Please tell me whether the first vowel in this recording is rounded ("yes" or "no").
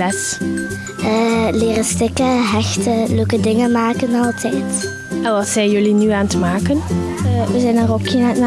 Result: no